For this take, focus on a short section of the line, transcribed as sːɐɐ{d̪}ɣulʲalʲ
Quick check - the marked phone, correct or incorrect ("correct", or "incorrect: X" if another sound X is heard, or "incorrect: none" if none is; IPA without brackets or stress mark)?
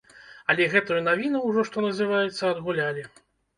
correct